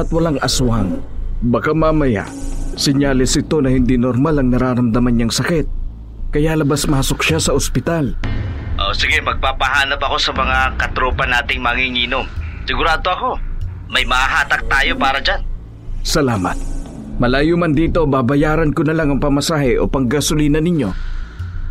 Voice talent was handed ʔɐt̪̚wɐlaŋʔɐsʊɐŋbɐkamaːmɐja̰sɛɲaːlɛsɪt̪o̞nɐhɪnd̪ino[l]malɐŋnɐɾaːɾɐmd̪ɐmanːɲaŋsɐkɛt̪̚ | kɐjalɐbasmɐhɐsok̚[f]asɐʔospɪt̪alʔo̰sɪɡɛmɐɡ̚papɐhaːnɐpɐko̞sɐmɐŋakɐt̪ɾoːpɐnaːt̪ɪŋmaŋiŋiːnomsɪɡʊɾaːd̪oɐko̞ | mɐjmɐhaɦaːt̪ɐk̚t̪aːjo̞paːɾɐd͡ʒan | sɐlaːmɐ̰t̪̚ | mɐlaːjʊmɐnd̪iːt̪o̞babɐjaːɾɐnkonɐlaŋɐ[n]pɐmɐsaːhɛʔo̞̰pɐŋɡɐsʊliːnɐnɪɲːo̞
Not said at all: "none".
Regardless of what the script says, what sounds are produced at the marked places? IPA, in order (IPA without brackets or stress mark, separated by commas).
ɾ, ʃ, ŋ